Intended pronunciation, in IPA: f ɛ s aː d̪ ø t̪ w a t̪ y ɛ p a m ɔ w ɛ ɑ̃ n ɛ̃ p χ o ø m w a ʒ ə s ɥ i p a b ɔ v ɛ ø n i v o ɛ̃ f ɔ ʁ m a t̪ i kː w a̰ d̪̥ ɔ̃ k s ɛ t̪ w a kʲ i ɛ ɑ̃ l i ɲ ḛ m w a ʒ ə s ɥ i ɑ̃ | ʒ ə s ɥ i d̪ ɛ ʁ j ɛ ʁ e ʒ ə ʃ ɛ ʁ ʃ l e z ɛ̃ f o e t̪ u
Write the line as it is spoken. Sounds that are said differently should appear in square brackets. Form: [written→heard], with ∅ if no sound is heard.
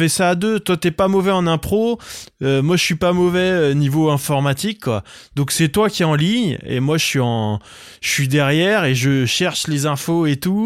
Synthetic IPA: f ɛ s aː d̪ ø t̪ w a t̪ y ɛ p a m ɔ [w→v] ɛ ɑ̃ n ɛ̃ p χ o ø m w a ʒ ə s ɥ i p a [b→m] ɔ v ɛ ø n i v o ɛ̃ f ɔ ʁ m a t̪ i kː w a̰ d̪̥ ɔ̃ k s ɛ t̪ w a kʲ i ɛ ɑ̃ l i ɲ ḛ m w a ʒ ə s ɥ i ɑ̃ | ʒ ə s ɥ i d̪ ɛ ʁ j ɛ ʁ e ʒ ə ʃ ɛ ʁ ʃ l e z ɛ̃ f o e t̪ u